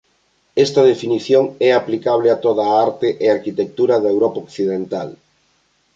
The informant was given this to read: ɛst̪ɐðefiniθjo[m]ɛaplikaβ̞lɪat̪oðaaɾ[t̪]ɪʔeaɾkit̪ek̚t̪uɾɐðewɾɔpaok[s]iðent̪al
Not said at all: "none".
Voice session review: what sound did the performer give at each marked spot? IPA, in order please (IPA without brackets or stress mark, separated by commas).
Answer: ŋ, t̪, θ